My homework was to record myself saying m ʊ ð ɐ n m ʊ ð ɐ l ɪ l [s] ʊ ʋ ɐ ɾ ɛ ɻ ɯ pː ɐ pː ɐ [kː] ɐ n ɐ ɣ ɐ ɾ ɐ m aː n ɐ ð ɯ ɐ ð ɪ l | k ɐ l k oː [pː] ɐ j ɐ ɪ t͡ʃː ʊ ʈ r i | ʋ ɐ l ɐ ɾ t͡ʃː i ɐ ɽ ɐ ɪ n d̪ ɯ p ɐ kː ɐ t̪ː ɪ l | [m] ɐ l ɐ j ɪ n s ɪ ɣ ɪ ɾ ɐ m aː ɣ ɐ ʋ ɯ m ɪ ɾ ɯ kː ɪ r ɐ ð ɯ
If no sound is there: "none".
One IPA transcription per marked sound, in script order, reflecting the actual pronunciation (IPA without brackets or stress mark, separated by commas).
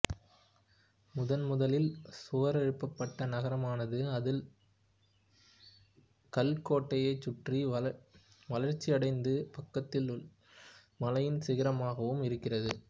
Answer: s, ʈː, ʈː, m